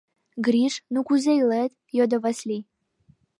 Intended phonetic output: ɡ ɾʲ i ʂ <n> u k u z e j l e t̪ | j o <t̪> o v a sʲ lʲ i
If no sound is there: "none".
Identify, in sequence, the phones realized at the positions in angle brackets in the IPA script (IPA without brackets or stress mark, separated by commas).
n, d̪